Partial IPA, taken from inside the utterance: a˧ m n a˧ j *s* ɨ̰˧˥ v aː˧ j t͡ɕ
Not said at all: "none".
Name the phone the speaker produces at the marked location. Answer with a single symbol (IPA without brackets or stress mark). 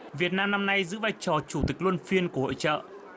z